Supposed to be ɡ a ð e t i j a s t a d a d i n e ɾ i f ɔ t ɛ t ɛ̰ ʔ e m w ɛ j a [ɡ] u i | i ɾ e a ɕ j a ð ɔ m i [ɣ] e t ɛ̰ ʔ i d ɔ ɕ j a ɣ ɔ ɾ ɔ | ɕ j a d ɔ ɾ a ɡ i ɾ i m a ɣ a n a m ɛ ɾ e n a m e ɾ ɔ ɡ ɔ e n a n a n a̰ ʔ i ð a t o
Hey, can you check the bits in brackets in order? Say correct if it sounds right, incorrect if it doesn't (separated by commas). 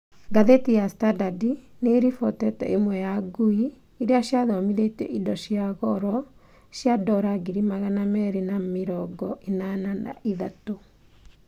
correct, incorrect